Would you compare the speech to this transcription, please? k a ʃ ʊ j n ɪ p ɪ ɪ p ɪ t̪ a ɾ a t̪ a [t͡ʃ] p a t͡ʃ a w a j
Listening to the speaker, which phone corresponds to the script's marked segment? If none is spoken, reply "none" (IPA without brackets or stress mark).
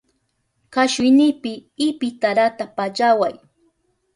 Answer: none